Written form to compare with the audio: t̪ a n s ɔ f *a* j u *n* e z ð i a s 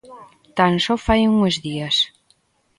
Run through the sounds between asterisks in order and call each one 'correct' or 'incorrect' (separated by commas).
correct, incorrect